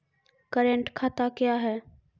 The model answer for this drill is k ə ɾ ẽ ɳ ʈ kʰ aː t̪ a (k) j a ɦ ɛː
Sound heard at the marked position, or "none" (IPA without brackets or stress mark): k